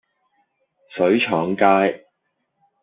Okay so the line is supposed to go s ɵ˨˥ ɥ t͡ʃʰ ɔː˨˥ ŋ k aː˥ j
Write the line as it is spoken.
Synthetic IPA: s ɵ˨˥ ɥ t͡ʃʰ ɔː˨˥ ŋ k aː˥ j